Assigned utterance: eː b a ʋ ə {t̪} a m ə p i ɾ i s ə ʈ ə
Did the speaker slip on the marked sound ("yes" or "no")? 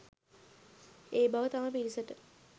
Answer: no